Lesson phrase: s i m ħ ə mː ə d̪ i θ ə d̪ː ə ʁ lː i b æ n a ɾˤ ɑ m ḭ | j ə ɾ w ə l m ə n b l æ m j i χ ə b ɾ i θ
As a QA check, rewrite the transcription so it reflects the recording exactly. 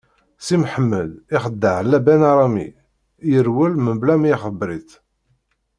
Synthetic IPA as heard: s i m ħ ə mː ə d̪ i χ ə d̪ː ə ʕ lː æ b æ n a ɾˤ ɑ m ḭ | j ə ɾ w ə l m ə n b l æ m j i χ ə b ɾ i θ